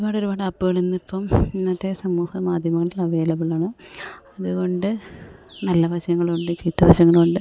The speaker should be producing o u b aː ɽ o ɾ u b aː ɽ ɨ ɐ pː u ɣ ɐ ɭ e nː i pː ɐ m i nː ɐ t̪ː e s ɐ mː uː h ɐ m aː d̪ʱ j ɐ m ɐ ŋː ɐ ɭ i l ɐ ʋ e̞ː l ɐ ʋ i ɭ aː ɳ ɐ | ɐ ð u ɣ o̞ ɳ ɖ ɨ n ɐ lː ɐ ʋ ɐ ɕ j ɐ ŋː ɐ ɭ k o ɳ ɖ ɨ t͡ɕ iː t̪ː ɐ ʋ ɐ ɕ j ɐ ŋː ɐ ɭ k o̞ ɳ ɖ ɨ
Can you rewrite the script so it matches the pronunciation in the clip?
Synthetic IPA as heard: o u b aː ɽ o ɾ u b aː ɽ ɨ ɐ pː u ɣ ɐ ɭ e nː i pː ɐ m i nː ɐ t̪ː e s ɐ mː uː h ɐ m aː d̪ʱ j ɐ m ɐ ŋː ɐ ɭ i l ɐ ʋ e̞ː l ɐ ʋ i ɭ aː ɳ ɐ | ɐ ð u ɣ o̞ ɳ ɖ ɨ n ɐ lː ɐ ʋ ɐ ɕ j ɐ ŋː ɐ ɭ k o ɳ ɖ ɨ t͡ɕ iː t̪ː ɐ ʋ ɐ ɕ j ɐ ŋː ɐ ɭ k o̞ ɳ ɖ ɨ